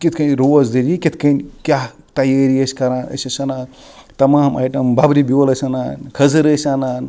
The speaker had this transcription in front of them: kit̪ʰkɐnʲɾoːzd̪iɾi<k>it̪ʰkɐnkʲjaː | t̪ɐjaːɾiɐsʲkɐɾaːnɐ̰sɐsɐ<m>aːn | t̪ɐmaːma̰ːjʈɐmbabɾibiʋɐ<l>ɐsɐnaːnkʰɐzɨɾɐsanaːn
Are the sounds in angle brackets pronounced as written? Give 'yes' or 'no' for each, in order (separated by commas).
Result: yes, no, yes